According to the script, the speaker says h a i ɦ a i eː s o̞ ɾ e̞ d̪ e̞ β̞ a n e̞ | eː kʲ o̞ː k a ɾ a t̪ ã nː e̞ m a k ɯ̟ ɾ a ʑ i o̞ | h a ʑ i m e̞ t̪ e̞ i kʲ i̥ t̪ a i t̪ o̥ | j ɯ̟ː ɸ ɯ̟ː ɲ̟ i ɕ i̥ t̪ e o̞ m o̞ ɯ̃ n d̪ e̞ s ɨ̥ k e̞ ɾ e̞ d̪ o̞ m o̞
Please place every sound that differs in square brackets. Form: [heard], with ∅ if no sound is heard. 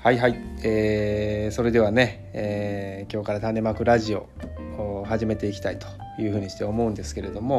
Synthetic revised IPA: h a i ɦ a i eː s o̞ ɾ e̞ d̪ e̞ β̞ a n e̞ | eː kʲ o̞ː k a ɾ a t̪ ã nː e̞ m a k ɯ̟ ɾ a ʑ i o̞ | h a ʑ i m e̞ t̪ e̞ i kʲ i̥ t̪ a i t̪ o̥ | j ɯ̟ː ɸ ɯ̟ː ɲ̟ i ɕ i̥ t̪ e o̞ m o̞ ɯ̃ n d̪ e̞ s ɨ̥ k e̞ ɾ e̞ d̪ o̞ m o̞